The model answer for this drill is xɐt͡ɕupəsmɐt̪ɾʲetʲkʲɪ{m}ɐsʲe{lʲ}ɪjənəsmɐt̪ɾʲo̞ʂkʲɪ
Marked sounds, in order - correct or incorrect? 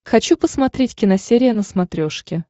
incorrect: n, incorrect: ɾʲ

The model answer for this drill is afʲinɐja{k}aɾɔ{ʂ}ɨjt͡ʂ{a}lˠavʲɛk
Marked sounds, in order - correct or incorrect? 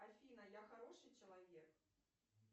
incorrect: x, correct, incorrect: ɐ

